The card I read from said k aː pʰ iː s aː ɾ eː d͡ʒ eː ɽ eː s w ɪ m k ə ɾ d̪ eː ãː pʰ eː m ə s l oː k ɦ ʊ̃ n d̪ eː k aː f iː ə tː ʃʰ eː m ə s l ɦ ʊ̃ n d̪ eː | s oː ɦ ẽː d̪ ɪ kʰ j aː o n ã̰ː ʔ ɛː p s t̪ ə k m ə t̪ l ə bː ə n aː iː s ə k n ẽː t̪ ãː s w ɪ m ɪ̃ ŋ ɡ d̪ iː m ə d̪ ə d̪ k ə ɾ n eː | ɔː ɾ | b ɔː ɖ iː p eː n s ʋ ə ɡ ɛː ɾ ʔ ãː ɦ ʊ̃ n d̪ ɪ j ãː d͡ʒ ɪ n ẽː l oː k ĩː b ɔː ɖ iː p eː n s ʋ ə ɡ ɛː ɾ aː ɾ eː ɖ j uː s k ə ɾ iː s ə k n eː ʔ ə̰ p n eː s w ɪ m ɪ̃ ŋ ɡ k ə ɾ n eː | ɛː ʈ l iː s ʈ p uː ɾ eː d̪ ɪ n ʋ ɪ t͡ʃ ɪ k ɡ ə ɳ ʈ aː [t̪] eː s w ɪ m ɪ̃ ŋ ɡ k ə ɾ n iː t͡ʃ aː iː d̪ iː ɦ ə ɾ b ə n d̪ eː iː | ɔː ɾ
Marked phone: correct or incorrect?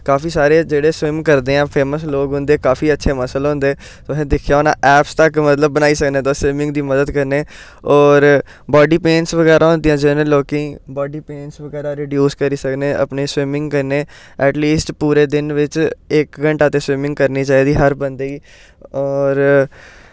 correct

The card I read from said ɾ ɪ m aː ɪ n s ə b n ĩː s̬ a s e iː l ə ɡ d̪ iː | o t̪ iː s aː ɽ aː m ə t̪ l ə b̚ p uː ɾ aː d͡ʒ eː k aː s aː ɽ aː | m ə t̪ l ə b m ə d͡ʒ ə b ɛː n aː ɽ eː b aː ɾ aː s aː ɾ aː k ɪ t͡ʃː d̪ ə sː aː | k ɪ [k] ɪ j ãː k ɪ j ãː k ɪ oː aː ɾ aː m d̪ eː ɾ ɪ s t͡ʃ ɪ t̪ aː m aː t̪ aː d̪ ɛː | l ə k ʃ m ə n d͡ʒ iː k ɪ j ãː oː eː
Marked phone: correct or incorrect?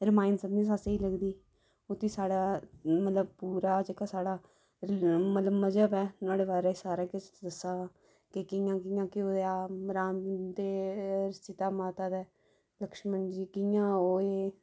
correct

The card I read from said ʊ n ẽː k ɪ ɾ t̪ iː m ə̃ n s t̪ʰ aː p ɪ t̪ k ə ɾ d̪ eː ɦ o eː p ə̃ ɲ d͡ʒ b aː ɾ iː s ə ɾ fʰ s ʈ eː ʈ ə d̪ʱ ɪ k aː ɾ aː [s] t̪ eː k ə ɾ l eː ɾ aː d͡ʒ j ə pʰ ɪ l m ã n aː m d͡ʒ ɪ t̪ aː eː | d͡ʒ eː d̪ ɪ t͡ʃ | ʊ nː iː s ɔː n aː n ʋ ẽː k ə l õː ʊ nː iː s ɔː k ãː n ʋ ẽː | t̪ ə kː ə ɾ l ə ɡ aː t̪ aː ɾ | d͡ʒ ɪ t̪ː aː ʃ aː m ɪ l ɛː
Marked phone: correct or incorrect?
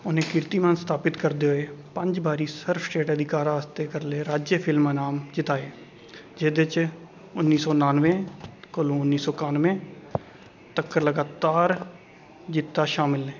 correct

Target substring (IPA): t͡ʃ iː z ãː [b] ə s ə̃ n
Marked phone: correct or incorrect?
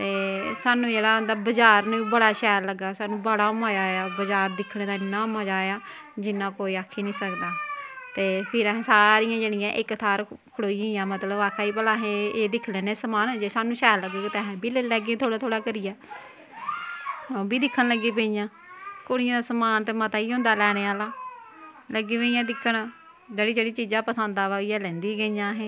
incorrect: p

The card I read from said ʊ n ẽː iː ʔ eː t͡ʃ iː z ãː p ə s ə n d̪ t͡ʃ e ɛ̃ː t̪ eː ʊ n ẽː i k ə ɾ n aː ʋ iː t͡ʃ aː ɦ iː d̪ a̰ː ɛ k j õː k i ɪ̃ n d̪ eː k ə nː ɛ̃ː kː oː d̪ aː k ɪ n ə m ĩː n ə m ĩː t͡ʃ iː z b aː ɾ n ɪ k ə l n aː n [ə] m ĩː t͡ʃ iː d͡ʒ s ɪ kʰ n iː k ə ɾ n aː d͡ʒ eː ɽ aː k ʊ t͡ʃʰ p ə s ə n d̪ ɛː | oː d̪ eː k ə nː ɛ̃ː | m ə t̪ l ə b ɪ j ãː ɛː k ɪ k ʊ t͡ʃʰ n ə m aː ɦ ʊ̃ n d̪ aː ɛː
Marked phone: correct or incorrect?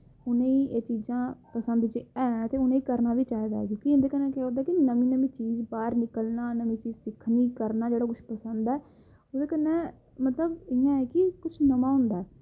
correct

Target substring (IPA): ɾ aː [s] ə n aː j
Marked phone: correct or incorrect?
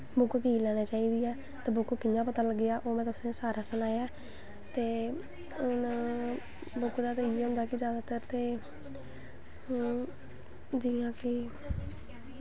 correct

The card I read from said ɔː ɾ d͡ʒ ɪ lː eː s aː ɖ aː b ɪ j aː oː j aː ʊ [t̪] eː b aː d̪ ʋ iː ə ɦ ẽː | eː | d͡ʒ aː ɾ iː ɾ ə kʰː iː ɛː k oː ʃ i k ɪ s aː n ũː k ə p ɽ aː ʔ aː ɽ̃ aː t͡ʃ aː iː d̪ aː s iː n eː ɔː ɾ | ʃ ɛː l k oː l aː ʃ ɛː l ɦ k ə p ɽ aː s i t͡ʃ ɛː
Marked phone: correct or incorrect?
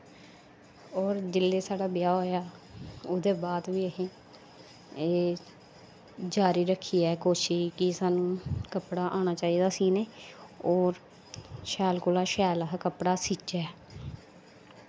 incorrect: d̪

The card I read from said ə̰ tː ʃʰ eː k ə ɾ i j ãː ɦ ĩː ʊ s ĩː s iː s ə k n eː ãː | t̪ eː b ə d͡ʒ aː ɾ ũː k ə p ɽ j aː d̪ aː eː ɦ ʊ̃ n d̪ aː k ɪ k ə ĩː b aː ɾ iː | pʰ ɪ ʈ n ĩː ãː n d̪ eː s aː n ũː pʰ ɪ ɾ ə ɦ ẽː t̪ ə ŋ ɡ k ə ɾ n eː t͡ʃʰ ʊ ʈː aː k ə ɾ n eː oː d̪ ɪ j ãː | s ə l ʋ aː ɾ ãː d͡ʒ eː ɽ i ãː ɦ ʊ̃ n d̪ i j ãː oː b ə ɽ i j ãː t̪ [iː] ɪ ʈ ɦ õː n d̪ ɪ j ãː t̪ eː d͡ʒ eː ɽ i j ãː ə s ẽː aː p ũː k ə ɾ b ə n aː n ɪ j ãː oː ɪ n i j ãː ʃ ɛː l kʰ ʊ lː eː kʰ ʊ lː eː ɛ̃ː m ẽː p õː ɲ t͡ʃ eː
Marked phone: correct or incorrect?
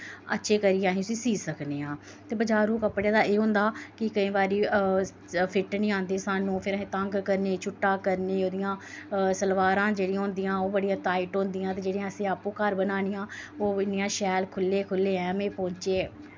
incorrect: aː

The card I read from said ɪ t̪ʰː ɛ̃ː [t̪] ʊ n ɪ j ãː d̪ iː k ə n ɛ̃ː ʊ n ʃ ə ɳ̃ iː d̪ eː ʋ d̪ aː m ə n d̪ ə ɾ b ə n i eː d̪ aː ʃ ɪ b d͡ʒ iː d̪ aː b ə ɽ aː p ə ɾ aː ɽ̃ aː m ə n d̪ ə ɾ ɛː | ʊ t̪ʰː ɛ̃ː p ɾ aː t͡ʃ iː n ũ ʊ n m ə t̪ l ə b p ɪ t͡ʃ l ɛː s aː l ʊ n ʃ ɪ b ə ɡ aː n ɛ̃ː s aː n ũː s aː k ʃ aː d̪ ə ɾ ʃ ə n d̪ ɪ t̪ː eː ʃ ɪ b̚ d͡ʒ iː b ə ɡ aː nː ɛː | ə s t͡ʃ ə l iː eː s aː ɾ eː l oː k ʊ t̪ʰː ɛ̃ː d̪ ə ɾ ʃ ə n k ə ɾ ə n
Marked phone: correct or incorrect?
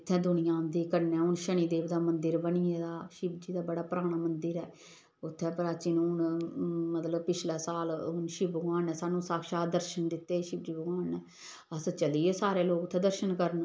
incorrect: d̪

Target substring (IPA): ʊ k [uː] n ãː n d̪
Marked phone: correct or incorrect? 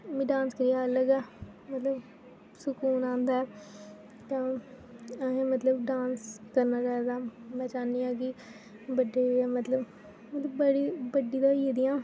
correct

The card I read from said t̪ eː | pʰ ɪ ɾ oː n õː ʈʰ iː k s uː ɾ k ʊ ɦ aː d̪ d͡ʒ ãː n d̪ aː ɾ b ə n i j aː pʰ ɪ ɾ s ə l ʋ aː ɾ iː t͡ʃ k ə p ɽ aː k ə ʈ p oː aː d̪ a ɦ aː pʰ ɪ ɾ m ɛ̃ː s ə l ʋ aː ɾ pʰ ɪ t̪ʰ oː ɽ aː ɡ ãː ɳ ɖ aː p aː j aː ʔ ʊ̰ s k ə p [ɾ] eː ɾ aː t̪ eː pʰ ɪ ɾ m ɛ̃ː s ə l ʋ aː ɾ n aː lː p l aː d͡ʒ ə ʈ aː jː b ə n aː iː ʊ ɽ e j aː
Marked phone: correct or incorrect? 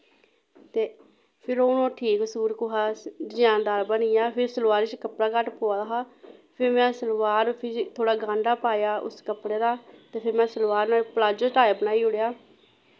incorrect: ɽ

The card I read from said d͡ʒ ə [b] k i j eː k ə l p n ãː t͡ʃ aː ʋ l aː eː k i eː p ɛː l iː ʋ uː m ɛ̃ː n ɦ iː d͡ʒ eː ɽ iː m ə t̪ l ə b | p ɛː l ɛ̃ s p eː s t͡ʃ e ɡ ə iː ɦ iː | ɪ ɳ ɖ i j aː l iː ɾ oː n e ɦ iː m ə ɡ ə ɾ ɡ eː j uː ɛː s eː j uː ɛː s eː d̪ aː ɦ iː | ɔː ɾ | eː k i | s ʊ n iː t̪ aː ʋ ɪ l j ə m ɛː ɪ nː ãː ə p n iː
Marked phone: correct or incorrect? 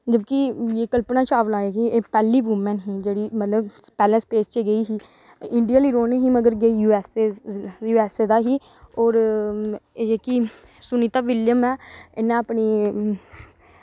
correct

